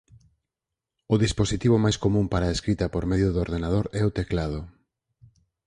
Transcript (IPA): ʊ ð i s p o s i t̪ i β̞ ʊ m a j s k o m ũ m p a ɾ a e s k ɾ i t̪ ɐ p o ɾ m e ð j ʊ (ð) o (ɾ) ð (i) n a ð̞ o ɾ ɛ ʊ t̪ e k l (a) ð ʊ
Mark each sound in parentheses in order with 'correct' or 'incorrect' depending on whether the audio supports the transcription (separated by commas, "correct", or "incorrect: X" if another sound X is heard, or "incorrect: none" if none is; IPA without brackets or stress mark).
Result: correct, correct, incorrect: e, correct